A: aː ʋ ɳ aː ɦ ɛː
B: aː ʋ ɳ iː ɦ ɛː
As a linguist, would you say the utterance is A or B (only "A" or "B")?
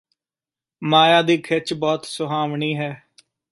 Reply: B